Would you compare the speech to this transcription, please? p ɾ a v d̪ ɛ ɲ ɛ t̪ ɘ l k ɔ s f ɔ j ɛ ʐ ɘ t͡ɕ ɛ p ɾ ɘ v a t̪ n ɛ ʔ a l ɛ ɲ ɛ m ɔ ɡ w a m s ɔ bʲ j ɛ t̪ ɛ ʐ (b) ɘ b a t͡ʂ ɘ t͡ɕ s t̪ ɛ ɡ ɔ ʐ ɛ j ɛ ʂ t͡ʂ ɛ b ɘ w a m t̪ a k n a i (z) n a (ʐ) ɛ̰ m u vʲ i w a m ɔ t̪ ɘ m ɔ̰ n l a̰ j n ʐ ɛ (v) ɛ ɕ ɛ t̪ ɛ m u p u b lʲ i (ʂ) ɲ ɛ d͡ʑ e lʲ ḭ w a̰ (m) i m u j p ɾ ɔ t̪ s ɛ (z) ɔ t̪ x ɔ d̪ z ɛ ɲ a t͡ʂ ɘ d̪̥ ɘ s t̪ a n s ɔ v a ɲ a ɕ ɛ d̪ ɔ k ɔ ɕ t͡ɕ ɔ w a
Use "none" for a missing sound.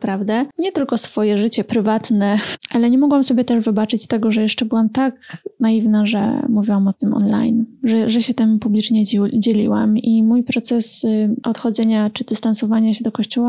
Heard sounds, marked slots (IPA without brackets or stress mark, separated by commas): v, v, ʐ, ʐ, t͡ʂ, m, s